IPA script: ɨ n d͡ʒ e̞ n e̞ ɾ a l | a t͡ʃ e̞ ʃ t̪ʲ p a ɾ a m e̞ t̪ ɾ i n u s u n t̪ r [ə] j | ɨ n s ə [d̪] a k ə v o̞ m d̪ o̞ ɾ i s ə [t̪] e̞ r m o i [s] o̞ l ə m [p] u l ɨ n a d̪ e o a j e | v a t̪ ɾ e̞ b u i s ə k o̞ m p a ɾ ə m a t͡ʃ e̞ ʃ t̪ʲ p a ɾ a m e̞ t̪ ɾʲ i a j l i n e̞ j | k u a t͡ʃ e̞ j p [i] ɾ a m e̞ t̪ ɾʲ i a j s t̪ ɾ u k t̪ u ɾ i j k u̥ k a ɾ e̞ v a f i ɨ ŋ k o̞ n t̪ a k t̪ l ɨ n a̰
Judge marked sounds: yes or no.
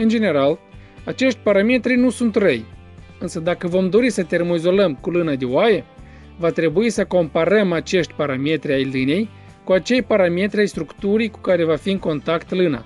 yes, yes, yes, no, no, no

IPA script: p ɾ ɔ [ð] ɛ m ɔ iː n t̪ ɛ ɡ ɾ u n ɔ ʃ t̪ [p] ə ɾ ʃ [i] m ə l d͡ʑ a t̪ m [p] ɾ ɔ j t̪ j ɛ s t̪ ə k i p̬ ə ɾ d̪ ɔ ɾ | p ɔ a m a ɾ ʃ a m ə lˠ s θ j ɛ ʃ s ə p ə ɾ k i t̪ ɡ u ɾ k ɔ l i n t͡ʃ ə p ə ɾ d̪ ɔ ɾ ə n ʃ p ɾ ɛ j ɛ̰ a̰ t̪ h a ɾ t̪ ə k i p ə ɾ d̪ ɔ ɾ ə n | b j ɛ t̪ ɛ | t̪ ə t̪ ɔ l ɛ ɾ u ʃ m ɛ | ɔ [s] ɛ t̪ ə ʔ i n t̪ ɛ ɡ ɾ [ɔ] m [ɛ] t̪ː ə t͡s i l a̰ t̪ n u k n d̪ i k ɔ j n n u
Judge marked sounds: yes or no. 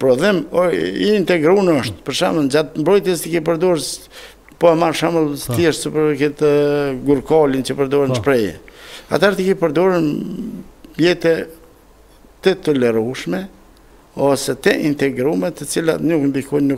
yes, yes, no, no, yes, no, yes

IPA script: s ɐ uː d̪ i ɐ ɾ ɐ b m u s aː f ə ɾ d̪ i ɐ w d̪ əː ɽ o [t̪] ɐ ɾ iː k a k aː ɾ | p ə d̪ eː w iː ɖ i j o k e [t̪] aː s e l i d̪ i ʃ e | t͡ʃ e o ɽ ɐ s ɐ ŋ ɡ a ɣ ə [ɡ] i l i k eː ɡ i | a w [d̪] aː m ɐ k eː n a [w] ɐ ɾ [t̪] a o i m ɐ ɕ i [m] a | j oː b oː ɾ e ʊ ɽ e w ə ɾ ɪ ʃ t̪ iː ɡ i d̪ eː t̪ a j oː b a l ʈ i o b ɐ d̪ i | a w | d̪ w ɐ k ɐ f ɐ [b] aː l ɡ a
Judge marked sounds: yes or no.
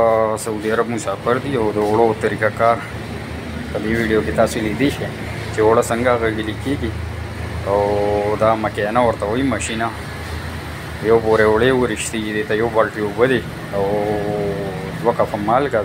yes, yes, yes, yes, yes, yes, no, no

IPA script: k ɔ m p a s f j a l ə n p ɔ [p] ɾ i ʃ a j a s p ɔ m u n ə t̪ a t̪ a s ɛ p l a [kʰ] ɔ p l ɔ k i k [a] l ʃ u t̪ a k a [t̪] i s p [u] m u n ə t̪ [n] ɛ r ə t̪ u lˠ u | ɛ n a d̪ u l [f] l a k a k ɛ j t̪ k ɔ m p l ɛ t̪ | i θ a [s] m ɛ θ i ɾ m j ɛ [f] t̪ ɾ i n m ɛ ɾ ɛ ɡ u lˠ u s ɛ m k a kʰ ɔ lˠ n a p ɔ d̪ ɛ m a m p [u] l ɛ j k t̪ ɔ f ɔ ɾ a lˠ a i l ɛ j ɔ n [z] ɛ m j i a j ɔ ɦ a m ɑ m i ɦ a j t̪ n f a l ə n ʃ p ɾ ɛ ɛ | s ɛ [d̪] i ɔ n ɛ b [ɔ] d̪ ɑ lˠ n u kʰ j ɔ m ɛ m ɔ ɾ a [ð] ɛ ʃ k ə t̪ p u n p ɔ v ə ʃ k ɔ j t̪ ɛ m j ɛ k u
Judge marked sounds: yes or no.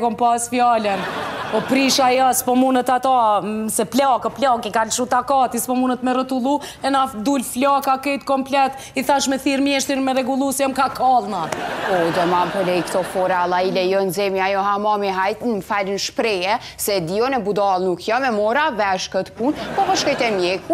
yes, no, yes, yes, no, no, yes, no, no, no, yes, yes, no, no

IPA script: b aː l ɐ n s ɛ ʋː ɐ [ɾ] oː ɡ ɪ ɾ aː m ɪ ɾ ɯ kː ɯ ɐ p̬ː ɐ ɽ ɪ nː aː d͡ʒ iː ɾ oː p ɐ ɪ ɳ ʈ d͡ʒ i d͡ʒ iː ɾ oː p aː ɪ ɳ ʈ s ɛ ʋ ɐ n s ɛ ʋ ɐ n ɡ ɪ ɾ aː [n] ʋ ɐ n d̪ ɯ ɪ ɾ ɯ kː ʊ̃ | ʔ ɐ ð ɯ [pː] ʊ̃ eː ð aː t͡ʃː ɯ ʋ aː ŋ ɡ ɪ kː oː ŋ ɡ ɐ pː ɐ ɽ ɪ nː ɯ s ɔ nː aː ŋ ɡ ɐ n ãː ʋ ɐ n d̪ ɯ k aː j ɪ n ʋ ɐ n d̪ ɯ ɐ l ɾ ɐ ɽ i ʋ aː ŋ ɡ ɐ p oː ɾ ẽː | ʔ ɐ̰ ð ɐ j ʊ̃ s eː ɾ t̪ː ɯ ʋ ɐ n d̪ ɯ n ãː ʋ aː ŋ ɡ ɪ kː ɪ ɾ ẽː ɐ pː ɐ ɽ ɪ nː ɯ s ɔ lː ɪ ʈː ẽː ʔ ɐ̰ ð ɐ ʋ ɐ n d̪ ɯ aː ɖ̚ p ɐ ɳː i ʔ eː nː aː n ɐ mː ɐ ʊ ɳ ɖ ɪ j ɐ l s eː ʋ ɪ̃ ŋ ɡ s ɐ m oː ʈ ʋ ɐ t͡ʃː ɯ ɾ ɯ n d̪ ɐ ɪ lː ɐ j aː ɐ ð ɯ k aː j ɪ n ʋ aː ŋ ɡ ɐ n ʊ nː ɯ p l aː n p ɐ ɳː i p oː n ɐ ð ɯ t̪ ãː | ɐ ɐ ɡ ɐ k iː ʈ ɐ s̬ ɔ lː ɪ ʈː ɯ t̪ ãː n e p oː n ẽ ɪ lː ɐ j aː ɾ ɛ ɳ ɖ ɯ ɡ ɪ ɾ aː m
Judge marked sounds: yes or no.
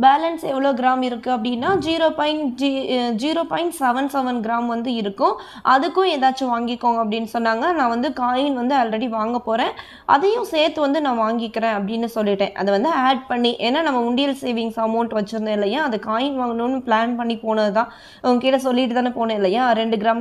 no, no, no

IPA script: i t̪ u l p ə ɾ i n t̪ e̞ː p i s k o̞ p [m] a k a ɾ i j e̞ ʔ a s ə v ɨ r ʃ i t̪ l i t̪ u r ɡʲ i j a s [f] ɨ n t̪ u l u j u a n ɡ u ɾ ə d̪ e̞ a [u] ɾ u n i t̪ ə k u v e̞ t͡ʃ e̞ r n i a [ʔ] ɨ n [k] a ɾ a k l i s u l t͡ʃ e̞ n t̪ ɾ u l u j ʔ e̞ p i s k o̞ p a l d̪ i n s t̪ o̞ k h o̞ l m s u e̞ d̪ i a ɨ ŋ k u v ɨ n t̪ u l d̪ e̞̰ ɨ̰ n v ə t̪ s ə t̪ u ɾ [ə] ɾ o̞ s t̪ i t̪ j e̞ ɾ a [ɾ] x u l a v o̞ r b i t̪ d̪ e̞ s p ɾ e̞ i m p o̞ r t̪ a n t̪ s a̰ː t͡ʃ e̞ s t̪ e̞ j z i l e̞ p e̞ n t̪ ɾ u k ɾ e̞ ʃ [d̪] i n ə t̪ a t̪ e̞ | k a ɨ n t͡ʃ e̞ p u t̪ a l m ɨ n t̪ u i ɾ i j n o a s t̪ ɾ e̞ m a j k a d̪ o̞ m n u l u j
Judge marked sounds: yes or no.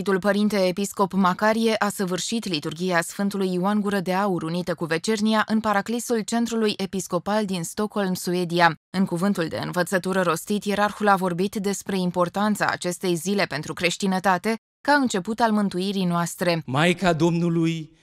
yes, yes, yes, yes, no, yes, no, no

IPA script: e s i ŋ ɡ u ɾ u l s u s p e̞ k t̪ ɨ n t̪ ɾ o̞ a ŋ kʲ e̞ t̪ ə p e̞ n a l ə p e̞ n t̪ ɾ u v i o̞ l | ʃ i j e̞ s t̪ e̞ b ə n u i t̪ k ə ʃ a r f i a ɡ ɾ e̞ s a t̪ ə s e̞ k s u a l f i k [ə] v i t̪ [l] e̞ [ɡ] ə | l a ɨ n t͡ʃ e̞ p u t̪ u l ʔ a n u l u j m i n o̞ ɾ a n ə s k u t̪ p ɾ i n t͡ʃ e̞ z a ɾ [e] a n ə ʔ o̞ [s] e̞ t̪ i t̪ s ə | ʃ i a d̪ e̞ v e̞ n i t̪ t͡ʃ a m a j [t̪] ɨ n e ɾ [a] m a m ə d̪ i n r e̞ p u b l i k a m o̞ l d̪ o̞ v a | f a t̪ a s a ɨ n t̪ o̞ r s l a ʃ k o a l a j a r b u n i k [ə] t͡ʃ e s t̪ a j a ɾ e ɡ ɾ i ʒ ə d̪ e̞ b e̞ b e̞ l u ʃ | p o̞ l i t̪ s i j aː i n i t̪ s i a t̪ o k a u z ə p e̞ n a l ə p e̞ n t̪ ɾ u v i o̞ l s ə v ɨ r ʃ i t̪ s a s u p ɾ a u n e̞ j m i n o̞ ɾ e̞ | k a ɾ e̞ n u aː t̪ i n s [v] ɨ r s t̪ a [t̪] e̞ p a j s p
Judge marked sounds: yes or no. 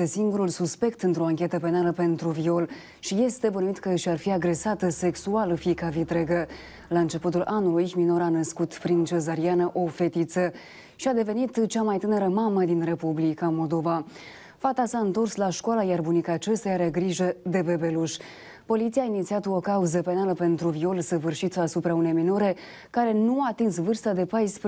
no, no, yes, no, no, yes, no, no, yes, no

